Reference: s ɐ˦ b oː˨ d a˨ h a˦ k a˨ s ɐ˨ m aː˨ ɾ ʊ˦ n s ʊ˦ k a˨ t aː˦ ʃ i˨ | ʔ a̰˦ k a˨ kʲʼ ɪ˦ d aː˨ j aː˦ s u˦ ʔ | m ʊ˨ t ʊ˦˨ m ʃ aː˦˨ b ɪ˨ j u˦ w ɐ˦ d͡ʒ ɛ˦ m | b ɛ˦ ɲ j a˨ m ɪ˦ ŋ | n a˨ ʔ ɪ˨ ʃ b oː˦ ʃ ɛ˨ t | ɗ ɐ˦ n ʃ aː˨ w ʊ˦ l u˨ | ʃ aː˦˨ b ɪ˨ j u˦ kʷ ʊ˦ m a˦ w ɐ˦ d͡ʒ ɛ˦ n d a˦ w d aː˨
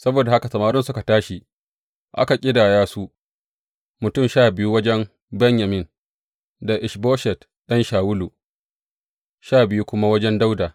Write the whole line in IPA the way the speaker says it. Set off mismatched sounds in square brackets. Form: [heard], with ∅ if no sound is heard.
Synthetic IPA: s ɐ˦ b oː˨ d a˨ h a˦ k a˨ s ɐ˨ m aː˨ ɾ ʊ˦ n s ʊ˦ k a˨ t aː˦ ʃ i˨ | ʔ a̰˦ k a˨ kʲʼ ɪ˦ d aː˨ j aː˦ s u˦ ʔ | m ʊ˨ t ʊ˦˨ m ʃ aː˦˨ b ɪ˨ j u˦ w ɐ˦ d͡ʒ ɛ˦ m | b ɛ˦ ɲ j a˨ m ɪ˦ [n] | [d] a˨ ʔ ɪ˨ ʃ b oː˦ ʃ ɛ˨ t | ɗ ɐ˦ n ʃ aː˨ w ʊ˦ l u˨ | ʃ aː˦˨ b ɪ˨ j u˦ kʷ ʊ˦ m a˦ w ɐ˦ d͡ʒ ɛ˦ n d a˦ w d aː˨